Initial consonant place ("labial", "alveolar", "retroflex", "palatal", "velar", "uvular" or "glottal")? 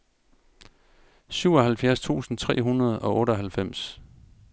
alveolar